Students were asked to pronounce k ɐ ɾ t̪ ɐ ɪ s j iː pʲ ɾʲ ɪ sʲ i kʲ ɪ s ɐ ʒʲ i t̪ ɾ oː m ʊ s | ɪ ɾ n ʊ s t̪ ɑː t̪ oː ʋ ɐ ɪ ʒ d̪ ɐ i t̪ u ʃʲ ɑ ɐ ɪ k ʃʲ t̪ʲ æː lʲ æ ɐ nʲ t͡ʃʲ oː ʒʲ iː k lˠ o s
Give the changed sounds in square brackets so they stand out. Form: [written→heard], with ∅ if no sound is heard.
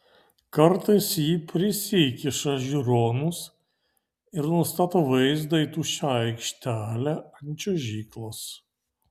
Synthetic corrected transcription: k ɐ ɾ t̪ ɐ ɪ s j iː pʲ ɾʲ ɪ sʲ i kʲ ɪ [s→ʃ] ɐ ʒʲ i [t̪→∅] ɾ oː [m→n] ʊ s | ɪ ɾ n ʊ s t̪ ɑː t̪ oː ʋ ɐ ɪ [ʒ→z] d̪ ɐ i t̪ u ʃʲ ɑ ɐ ɪ k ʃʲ t̪ʲ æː lʲ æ ɐ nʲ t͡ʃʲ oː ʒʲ iː k lˠ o s